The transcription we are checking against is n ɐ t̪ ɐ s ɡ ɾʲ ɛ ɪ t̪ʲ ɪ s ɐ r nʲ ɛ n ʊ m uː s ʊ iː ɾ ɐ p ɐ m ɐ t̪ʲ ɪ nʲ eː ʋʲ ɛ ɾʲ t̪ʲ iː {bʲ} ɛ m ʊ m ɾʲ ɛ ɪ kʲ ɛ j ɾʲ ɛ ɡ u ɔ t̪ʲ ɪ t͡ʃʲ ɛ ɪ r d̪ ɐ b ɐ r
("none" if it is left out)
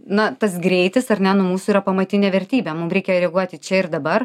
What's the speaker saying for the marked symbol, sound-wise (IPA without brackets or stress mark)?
bʲ